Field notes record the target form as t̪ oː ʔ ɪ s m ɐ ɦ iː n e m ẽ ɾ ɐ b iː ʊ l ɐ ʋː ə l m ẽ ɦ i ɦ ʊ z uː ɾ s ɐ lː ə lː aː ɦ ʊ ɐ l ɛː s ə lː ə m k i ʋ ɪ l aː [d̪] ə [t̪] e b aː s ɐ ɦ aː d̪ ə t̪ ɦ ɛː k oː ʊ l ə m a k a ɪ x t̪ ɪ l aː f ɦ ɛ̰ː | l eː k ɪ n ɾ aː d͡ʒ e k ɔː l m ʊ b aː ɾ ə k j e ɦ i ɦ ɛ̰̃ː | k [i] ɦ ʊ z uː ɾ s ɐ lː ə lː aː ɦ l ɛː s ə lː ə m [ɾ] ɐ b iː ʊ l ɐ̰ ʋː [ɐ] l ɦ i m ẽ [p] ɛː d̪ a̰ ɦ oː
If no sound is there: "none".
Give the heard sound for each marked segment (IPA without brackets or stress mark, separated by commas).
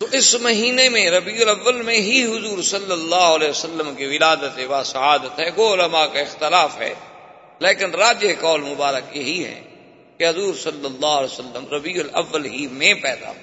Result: d̪, t̪, e, ɾ, ə, p